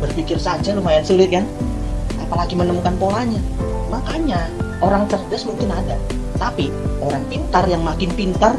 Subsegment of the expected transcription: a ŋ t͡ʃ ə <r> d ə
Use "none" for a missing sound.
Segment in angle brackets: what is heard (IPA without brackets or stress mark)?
r